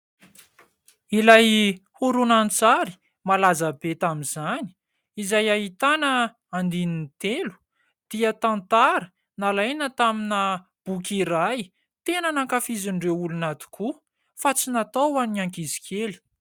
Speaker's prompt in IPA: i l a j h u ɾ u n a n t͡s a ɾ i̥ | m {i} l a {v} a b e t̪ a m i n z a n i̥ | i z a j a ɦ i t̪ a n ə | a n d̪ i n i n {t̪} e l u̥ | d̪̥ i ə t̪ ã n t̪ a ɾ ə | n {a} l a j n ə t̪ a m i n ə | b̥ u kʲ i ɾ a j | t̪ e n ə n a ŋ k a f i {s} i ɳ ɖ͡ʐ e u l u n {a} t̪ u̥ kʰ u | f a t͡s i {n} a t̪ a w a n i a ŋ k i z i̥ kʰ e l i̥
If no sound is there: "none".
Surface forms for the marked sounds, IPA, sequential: a, z, t̪, a, z, a, n

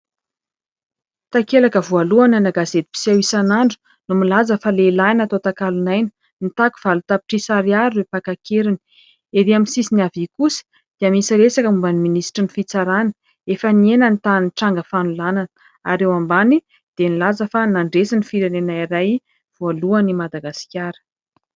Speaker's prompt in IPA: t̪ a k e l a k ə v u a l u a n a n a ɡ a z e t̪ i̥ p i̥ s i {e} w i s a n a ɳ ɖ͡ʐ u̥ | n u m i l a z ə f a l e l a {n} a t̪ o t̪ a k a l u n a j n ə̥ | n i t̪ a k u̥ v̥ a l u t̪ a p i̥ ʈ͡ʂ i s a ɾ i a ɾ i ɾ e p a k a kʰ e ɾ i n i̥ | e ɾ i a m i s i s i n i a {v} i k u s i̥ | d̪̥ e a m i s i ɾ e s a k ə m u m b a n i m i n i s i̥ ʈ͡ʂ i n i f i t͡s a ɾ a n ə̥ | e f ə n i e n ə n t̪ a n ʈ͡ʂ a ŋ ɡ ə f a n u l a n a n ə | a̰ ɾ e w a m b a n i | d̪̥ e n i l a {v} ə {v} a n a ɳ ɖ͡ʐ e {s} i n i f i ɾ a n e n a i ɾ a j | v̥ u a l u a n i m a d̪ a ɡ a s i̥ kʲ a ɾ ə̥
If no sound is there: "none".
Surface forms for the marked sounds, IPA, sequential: a, n, v, z, f, s

